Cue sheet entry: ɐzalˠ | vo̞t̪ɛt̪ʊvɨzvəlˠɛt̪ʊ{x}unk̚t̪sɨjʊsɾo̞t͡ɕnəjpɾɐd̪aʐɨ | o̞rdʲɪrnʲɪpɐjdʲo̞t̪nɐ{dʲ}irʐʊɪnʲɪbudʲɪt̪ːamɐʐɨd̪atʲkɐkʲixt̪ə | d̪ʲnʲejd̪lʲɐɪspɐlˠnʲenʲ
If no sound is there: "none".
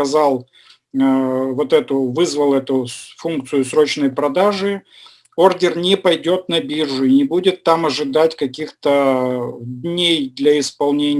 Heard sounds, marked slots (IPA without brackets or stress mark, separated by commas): f, bʲ